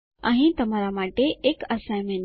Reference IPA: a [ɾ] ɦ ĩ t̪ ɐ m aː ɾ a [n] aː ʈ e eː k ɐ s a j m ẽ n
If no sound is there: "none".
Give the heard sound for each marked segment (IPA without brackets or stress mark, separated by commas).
none, m